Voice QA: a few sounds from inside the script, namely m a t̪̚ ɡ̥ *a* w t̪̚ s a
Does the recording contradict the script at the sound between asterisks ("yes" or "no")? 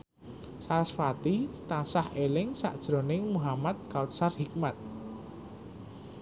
no